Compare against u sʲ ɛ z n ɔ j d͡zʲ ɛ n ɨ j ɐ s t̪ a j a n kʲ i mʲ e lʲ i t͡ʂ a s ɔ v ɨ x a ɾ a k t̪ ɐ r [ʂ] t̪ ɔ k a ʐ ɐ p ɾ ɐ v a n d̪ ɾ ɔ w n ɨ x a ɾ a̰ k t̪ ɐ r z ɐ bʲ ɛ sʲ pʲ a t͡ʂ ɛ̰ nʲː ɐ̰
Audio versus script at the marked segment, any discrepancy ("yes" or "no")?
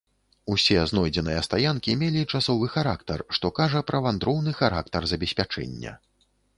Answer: no